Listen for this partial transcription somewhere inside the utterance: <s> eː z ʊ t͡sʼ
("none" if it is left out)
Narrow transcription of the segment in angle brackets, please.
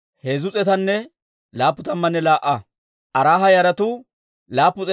h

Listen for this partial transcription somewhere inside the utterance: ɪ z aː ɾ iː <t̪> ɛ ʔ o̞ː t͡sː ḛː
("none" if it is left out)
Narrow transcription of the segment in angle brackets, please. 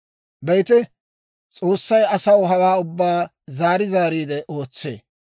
d̪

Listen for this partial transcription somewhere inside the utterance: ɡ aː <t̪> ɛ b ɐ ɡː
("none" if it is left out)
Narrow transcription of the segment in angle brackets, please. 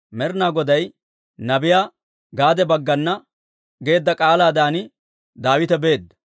d̪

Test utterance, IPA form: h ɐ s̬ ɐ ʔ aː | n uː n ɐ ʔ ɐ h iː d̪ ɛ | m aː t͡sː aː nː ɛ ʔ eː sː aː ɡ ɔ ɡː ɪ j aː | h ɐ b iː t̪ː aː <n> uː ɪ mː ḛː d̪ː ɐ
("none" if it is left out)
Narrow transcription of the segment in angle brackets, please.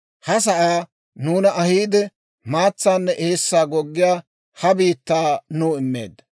n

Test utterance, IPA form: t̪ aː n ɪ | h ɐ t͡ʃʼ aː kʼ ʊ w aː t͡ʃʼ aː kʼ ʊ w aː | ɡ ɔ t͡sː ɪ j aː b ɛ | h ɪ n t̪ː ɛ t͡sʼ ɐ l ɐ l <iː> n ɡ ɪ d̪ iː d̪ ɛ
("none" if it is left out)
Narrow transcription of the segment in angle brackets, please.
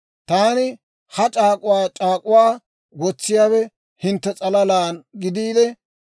aː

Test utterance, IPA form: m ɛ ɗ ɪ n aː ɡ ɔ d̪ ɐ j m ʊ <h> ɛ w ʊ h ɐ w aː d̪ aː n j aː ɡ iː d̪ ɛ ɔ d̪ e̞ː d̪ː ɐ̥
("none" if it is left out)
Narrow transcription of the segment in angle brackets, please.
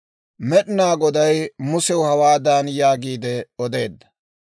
s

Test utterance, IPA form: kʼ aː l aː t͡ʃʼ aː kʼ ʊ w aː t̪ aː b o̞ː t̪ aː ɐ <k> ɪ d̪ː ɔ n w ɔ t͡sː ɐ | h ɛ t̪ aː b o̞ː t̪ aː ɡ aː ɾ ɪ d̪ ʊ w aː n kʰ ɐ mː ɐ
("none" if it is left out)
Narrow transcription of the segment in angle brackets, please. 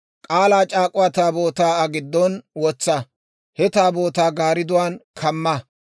ɡ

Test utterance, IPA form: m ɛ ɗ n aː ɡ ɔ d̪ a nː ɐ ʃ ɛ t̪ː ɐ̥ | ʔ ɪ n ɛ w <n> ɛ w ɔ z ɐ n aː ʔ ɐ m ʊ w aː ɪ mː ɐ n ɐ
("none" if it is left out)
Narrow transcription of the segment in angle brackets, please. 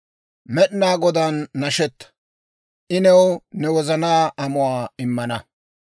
n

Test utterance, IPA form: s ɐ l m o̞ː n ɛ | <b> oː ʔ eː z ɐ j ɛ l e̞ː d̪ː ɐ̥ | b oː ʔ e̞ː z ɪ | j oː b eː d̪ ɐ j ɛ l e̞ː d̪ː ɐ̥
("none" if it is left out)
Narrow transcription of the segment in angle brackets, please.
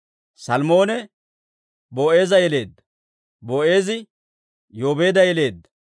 b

